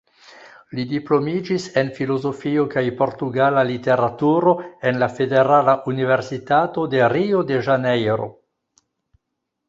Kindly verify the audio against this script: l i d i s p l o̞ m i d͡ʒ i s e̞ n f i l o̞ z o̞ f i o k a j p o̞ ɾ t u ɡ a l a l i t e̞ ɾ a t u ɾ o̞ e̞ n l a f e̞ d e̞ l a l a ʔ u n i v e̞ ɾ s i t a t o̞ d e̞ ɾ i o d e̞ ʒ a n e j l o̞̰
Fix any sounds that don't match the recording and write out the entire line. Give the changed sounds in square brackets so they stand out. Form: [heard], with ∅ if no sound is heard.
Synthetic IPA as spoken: l i d i [∅] p l o̞ m i d͡ʒ i s e̞ n f i l o̞ z o̞ f i o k a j p o̞ ɾ t u ɡ a l a l i t e̞ ɾ a t u ɾ o̞ e̞ n l a f e̞ d e̞ [ɾ] a l a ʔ u n i v e̞ ɾ s i t a t o̞ d e̞ ɾ i o d e̞ ʒ a n e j [ɾ] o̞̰